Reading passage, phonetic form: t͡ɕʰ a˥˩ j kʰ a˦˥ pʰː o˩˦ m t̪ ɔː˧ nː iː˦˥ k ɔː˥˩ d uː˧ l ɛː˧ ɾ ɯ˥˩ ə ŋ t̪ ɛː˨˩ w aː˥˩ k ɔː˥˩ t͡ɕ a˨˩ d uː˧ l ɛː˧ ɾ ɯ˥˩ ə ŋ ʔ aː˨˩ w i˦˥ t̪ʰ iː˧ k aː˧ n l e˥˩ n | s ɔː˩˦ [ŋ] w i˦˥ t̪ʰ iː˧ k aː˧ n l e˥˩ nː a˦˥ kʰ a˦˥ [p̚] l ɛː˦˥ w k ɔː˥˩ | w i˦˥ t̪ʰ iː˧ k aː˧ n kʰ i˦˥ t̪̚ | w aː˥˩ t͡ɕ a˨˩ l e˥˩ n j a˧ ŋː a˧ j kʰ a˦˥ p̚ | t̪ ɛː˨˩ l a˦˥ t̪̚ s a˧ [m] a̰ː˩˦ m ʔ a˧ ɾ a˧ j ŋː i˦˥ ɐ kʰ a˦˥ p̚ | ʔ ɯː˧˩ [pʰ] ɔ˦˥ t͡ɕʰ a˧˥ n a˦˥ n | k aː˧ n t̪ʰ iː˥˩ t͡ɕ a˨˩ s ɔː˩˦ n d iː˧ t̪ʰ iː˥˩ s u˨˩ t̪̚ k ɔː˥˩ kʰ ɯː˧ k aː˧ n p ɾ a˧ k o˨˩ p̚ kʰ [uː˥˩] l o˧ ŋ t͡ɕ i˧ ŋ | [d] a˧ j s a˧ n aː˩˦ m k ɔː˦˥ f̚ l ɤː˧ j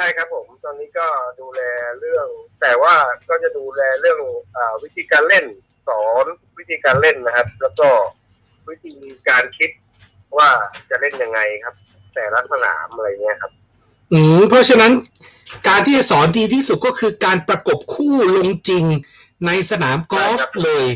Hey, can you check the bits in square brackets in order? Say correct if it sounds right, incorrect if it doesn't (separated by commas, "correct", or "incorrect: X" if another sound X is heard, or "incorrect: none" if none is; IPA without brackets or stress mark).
incorrect: n, correct, incorrect: n, correct, correct, incorrect: n